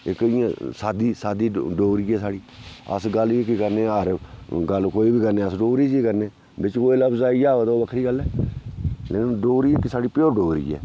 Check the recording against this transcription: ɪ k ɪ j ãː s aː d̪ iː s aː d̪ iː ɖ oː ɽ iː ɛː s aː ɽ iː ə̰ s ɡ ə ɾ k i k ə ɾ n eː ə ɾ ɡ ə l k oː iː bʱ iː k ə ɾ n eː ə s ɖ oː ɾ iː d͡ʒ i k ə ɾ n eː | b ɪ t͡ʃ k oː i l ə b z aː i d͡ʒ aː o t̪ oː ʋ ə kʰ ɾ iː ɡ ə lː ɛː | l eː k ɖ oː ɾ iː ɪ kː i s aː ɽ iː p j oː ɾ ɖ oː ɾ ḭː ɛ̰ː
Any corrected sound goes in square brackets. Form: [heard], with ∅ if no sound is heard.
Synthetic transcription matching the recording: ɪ k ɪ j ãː s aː d̪ iː s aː d̪ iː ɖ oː [ɾ] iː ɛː s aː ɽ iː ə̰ s ɡ ə [l] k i k ə ɾ n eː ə ɾ ɡ ə l k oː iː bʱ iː k ə ɾ n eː ə s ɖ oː ɾ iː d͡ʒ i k ə ɾ n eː | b ɪ t͡ʃ k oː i l ə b z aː i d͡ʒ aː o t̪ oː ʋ ə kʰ ɾ iː ɡ ə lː ɛː | l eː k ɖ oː ɾ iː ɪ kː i s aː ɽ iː p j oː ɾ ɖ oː ɾ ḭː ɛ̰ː

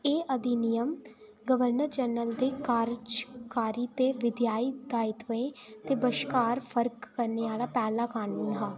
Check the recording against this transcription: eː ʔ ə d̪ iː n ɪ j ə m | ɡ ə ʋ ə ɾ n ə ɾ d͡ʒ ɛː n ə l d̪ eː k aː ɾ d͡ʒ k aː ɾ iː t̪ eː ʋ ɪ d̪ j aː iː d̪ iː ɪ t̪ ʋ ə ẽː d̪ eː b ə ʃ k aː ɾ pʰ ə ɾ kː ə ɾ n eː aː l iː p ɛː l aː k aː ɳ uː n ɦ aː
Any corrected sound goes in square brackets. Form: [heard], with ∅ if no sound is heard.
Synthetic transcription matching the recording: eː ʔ ə d̪ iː n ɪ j ə m | ɡ ə ʋ ə ɾ n ə ɾ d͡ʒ ɛː n ə l d̪ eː k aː ɾ d͡ʒ k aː ɾ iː t̪ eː ʋ ɪ d̪ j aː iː d̪ [aː] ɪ t̪ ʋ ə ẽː [t̪] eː b ə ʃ k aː ɾ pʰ ə ɾ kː ə ɾ n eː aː l [aː] p ɛː l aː k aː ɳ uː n ɦ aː

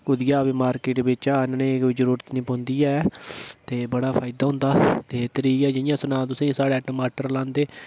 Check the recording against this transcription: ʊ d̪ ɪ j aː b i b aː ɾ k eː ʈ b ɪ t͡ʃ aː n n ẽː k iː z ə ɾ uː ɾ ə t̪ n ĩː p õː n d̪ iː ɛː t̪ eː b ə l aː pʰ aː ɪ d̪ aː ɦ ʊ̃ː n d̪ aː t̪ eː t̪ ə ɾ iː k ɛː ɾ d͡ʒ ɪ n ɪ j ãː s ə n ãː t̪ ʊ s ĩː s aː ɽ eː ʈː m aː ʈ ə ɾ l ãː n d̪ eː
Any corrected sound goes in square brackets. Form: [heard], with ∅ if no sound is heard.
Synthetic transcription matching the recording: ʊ d̪ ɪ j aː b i [m] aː ɾ k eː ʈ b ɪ t͡ʃ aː n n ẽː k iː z ə ɾ uː ɾ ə t̪ n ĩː p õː n d̪ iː ɛː t̪ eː b ə [ɽ] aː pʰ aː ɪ d̪ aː ɦ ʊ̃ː n d̪ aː t̪ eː t̪ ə ɾ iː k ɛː [∅] d͡ʒ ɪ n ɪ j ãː s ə n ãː t̪ ʊ s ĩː s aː ɽ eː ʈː m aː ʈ ə ɾ l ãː n d̪ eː

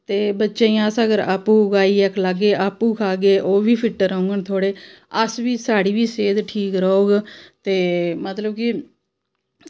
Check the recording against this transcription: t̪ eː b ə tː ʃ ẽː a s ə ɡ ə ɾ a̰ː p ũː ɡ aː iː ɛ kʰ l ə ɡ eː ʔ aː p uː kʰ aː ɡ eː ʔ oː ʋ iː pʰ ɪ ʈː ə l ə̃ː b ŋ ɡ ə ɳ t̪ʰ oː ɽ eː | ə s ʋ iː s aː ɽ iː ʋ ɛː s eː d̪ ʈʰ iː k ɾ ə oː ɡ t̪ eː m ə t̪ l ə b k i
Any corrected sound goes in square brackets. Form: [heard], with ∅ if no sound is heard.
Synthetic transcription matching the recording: t̪ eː b ə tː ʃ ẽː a s ə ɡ ə ɾ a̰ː p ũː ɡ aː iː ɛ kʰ l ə ɡ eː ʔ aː p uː kʰ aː ɡ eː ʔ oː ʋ iː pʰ ɪ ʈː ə [ɾ] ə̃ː [∅] ŋ ɡ ə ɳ t̪ʰ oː ɽ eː | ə s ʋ iː s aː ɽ iː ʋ [iː] s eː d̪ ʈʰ iː k ɾ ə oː ɡ t̪ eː m ə t̪ l ə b k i

